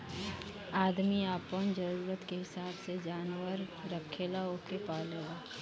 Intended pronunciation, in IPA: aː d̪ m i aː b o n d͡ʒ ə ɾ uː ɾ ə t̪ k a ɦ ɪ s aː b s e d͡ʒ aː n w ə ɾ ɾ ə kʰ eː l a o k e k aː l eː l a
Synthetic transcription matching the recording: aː d̪ m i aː p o n d͡ʒ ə ɾ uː ɾ ə t̪ k e ɦ ɪ s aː b s e d͡ʒ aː n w ə ɾ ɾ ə kʰ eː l a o k e p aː l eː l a

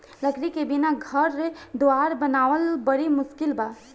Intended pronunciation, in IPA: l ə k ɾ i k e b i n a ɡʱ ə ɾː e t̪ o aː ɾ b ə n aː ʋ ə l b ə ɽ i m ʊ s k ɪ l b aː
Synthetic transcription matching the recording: l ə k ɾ i k e b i n a ɡʱ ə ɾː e d̪ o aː ɾ b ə n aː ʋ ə l b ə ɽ i m ʊ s k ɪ l b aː

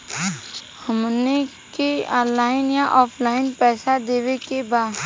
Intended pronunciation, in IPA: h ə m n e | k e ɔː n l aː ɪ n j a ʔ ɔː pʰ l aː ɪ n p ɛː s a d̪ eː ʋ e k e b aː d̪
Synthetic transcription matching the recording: h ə m n e | k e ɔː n l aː ɪ n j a ʔ ɔː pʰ l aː ɪ n p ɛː s a d̪ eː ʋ e k e b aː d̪

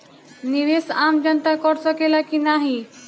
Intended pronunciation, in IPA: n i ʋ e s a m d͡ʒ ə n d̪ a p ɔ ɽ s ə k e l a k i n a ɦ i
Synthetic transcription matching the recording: n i ʋ e s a m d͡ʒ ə n t̪ a k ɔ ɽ s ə k e l a k i n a ɦ i

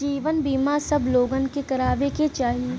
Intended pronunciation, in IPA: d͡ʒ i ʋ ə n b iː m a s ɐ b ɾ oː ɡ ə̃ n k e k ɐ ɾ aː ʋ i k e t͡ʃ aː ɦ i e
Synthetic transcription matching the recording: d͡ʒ iː ʋ ə n b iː m a s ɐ b l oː ɡ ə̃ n k e k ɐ ɾ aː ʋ e k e t͡ʃ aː ɦ i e

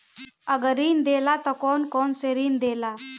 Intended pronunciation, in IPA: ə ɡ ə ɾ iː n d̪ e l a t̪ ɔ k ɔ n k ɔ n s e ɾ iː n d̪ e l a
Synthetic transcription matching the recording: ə ɡ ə ɾ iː n d̪ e l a t̪ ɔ k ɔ n k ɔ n s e ɾ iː n d̪ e l a

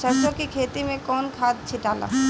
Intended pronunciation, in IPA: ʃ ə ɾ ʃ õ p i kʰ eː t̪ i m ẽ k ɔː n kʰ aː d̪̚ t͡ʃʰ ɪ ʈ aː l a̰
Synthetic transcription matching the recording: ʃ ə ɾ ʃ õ k i kʰ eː t̪ i m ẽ k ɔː n kʰ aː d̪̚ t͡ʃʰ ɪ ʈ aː l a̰

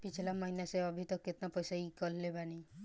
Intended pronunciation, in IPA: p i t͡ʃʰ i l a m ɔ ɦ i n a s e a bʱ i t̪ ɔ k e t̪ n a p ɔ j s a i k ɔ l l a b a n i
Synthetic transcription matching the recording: p i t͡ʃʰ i l a m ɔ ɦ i n a s e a bʱ i t̪ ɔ k e t̪ n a p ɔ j s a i k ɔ l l e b a n i

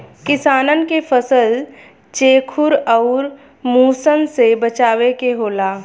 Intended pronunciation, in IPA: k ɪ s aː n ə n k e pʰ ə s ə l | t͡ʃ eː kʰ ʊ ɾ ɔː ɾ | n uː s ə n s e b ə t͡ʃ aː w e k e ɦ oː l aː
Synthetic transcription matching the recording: k ɪ s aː n ə n k e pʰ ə s ə l | t͡ʃ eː kʰ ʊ ɾ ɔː ɾ | m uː s ə n s e b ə t͡ʃ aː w e k e ɦ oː l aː

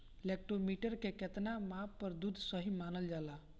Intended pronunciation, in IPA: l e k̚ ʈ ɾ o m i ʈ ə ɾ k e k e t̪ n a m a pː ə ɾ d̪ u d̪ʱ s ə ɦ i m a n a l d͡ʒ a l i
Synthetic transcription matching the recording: l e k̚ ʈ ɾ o m i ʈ ə ɾ k e k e t̪ n a m a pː ə ɾ d̪ u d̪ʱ s ə ɦ i m a n ə l d͡ʒ a l a

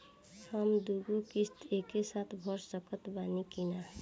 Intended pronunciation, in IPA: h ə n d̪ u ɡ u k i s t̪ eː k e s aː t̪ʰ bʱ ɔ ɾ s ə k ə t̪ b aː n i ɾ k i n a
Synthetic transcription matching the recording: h ə m d̪ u ɡ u k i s t̪ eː k e s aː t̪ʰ bʱ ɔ ɾ s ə k ə t̪ b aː n i k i n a

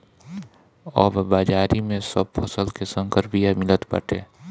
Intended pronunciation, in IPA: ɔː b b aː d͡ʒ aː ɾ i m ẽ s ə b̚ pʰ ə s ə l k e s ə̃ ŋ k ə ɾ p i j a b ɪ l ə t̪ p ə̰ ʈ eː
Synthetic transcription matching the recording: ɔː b b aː d͡ʒ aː ɾ i m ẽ s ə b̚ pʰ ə s ə l k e s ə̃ ŋ k ə ɾ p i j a m ɪ l ə t̪ p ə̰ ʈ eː

